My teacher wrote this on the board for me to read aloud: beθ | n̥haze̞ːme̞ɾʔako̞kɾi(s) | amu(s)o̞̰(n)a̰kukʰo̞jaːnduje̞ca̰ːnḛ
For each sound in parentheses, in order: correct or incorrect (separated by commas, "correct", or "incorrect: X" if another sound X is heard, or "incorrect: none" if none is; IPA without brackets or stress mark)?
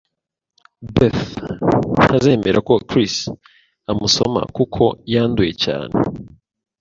correct, correct, incorrect: m